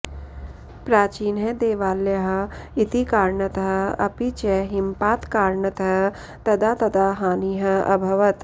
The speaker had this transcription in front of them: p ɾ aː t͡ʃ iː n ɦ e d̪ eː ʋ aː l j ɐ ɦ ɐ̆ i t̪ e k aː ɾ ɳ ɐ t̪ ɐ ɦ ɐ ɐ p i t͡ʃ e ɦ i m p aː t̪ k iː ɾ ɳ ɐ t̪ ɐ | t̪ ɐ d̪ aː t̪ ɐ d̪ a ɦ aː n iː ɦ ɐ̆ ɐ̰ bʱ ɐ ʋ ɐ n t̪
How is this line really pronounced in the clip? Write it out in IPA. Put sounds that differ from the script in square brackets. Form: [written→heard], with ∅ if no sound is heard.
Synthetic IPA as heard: p ɾ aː t͡ʃ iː n ɦ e d̪ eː ʋ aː l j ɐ ɦ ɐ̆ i t̪ [e→i] k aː ɾ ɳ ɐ t̪ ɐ ɦ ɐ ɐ p i t͡ʃ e ɦ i m p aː t̪ k [iː→aː] ɾ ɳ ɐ t̪ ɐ | t̪ ɐ d̪ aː t̪ ɐ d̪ a ɦ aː n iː ɦ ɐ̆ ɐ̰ bʱ ɐ ʋ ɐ [n→∅] t̪